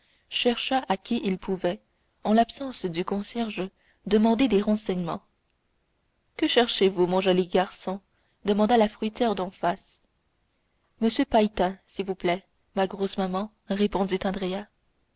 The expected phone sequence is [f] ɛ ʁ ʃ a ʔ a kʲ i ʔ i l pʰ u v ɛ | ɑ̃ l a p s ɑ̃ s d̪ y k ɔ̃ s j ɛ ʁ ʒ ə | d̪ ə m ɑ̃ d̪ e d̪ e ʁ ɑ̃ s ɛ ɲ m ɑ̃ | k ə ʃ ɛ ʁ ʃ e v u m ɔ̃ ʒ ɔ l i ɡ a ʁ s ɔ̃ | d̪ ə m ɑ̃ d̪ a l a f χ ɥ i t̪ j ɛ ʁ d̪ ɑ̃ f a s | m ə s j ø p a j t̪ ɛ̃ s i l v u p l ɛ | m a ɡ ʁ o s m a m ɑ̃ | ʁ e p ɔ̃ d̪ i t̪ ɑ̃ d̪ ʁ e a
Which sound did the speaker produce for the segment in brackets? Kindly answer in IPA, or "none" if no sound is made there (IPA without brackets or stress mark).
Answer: ʃ